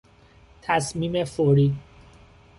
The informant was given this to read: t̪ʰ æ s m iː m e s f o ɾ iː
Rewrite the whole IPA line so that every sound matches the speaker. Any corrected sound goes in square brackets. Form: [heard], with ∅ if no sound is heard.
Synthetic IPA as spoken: t̪ʰ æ s m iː m e [∅] f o ɾ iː